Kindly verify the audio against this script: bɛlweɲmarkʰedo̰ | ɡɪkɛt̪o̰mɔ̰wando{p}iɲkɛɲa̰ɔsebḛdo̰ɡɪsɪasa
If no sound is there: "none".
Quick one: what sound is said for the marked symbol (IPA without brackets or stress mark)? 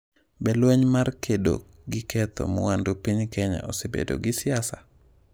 p